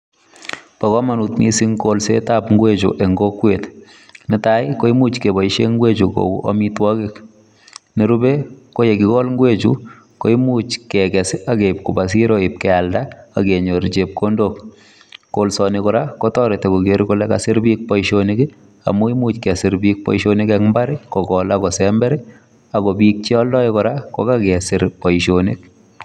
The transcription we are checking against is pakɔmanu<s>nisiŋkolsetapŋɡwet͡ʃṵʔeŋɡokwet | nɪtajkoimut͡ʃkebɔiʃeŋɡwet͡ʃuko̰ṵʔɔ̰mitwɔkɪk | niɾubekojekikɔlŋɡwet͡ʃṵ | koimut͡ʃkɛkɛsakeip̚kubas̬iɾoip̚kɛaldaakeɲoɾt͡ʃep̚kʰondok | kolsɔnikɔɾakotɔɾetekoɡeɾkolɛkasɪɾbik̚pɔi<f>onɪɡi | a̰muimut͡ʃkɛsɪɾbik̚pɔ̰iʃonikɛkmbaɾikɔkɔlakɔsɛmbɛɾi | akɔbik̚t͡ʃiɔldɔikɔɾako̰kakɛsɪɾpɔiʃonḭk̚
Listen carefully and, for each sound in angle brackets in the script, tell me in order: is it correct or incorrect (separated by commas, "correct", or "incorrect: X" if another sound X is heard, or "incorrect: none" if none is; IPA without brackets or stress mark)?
incorrect: t, incorrect: ʃ